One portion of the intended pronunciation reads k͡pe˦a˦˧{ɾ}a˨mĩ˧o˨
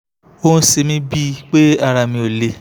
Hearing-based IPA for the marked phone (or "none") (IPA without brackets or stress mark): ɾ